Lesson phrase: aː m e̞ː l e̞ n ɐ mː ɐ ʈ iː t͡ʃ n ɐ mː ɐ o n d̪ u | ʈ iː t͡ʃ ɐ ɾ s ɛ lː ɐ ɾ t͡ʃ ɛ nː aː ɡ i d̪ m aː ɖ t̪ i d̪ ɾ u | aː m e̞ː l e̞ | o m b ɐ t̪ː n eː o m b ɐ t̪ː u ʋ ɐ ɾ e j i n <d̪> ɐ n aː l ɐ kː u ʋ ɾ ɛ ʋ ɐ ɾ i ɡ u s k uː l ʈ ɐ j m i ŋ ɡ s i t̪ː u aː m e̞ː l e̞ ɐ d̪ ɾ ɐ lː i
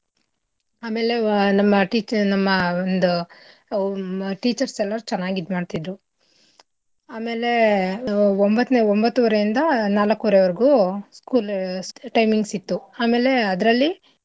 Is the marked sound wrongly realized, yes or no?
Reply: no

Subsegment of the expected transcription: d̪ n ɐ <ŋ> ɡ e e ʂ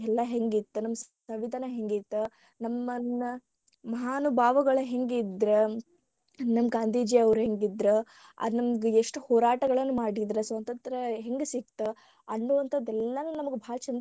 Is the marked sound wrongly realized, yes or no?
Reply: yes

